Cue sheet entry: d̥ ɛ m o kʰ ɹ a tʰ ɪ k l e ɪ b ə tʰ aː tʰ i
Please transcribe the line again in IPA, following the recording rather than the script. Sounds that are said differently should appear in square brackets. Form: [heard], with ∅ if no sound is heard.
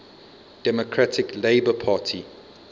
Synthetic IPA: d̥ ɛ m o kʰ ɹ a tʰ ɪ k l e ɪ b ə [pʰ] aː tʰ i